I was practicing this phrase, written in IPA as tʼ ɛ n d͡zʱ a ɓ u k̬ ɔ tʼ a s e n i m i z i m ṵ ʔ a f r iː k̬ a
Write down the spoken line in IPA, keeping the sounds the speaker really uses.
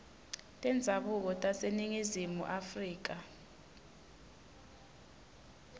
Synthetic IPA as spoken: tʼ ɛ n d͡zʱ a ɓ u k̬ ɔ tʼ a s e n i ŋ i z i m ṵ ʔ a f r iː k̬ a

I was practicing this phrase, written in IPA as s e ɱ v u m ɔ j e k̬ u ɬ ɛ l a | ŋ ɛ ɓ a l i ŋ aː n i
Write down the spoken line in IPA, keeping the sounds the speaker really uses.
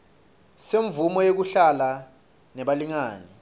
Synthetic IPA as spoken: s e ɱ v u m ɔ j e k̬ u ɬ a l a | n ɛ ɓ a l i ŋ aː n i

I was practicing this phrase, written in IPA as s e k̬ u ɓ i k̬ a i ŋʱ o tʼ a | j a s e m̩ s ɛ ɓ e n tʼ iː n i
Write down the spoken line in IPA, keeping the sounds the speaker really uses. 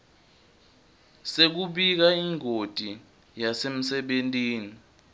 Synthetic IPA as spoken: s e k̬ u ɓ i k̬ a i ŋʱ o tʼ i | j a s e m̩ s ɛ ɓ e n tʼ iː n i

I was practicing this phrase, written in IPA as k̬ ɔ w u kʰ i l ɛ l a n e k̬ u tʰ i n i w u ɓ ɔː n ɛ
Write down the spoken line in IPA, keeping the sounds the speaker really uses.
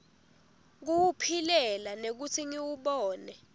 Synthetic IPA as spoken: k̬ u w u pʰ i l ɛ l a n e k̬ u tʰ i ŋ i w u ɓ ɔː n ɛ

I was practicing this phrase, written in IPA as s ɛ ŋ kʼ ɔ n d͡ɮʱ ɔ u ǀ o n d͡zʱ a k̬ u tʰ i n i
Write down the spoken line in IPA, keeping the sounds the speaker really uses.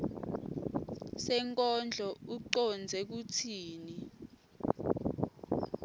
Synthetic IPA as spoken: s ɛ ŋ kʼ ɔ n d͡ɮʱ ɔ u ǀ ɔ n d͡zʱ ɛ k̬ u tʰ iː n i

